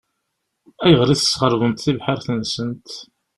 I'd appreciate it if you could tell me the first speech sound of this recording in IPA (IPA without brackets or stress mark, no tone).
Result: æ